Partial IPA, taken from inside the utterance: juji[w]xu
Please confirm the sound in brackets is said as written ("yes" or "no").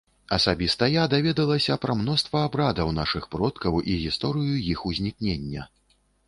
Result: no